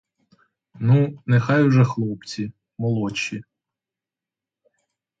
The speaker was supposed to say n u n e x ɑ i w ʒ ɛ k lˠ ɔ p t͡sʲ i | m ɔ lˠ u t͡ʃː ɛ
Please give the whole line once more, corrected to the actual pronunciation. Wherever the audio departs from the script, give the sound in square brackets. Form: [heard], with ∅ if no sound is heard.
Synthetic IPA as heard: n u n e x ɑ [j] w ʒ ɛ [x] lˠ ɔ p t͡sʲ i | m ɔ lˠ [ɔ] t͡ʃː [i]